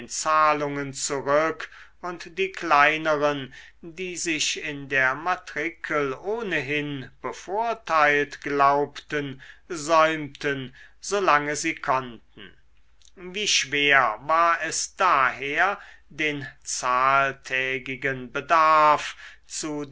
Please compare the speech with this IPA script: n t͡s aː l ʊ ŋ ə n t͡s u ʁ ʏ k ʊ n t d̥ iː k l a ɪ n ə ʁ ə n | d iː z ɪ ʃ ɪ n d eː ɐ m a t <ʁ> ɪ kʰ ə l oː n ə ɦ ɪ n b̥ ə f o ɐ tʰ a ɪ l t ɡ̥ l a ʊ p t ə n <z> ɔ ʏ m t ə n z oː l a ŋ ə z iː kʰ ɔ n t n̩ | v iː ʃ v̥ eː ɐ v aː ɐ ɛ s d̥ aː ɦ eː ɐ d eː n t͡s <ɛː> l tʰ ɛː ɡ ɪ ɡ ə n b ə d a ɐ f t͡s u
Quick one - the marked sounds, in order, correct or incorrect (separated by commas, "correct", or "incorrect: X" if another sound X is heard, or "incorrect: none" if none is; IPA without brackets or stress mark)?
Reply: correct, correct, incorrect: aː